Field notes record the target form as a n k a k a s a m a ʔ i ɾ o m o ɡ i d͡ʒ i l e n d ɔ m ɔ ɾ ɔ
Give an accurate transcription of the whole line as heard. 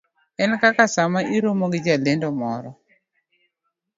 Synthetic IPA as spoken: ɛ n k a k a s a m a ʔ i ɾ o m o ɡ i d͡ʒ a l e n d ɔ m ɔ ɾ ɔ

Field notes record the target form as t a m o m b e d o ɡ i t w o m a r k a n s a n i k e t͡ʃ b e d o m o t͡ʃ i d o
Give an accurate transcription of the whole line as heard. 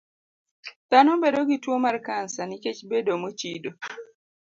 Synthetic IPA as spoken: t a n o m b e d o ɡ i t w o m a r k a n s a n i k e t͡ʃ b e d o m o t͡ʃ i d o

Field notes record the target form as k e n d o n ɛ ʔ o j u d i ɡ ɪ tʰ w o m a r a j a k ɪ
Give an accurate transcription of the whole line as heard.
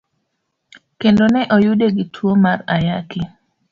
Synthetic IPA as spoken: k e n d o n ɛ ʔ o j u d e ɡ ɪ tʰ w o m a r a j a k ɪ

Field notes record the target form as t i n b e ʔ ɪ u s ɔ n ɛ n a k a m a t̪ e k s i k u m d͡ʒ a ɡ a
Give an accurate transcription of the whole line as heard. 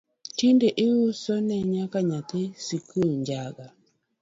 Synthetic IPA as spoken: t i n d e ʔ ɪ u s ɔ n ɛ ɲ a k a ɲ a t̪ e s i k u ɲ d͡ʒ a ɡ a

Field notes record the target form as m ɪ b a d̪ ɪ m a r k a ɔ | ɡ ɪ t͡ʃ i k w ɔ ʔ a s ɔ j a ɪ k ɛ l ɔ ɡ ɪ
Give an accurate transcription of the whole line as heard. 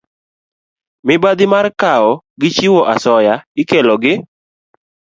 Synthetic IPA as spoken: m ɪ b a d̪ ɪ m a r k a ɔ | ɡ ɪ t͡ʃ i w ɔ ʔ a s ɔ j a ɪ k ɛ l ɔ ɡ ɪ

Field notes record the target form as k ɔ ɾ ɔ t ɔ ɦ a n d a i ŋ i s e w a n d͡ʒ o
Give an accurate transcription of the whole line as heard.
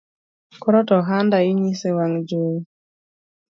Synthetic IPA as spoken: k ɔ ɾ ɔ t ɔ ɦ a n d a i ɲ i s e w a ŋ d͡ʒ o

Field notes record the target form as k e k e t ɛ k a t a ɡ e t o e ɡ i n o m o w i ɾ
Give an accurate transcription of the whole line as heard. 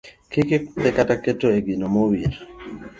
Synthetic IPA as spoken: k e k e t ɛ k a t a k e t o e ɡ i n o m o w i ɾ

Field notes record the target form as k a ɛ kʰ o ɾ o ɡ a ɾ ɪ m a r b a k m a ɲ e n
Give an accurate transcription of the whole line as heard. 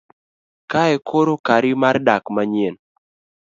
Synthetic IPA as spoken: k a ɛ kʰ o ɾ o k a ɾ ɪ m a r d a k m a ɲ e n

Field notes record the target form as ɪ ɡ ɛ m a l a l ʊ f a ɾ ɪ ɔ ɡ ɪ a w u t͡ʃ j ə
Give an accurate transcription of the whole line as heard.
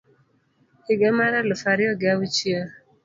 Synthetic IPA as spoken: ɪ ɡ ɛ m a ɾ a l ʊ f a ɾ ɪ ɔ ɡ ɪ a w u t͡ʃ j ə

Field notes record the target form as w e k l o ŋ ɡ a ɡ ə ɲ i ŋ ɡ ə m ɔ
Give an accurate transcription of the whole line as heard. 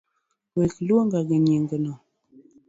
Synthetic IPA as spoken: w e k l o ŋ ɡ a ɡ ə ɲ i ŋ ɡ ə n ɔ

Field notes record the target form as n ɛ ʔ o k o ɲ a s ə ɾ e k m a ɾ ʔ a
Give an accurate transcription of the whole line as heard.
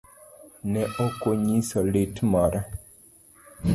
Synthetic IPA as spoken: n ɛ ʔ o k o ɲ i s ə l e t m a ɾ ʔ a

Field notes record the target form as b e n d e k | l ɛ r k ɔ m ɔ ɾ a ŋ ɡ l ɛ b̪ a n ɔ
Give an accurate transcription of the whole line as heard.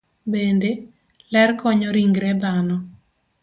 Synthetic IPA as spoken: b e n d e | l ɛ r k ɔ ɲ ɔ ɾ i ŋ ɡ ɾ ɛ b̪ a n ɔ

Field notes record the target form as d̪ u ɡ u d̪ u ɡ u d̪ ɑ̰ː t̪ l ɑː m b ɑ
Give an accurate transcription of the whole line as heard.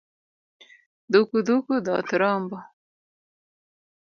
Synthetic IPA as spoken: d̪ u k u d̪ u k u d̪ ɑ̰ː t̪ ɾ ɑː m b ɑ

